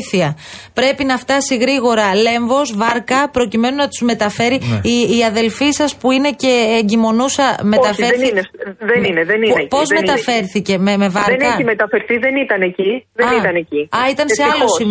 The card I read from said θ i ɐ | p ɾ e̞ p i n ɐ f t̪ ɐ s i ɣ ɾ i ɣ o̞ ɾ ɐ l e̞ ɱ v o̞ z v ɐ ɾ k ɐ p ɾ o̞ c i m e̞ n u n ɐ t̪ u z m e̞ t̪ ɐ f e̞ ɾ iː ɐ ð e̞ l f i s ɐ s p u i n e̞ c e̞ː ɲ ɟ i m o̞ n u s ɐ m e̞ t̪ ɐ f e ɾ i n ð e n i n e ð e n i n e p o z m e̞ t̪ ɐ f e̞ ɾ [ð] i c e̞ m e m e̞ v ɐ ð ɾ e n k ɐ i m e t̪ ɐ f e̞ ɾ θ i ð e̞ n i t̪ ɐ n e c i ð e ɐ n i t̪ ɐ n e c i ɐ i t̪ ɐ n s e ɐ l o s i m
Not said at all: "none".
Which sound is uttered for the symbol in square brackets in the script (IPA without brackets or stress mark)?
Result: θ